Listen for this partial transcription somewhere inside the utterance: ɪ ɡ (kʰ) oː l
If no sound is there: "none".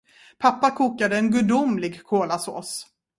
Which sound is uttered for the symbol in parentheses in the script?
kʰ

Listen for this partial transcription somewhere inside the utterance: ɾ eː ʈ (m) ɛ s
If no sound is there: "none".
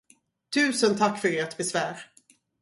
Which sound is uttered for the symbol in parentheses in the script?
b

